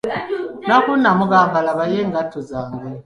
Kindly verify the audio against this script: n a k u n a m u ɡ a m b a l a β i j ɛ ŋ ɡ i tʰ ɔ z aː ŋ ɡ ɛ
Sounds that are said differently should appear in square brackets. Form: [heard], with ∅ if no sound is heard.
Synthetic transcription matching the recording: n a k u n a m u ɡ a m b a l a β [a] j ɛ ŋ ɡ [a] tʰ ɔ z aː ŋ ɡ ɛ